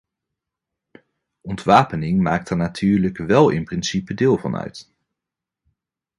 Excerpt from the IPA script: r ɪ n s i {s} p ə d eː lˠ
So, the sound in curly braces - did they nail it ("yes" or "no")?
no